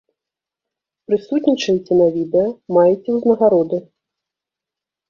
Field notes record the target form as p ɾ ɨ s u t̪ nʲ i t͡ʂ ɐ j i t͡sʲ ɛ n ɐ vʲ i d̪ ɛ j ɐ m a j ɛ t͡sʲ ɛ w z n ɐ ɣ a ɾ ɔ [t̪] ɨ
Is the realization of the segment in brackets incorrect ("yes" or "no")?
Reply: yes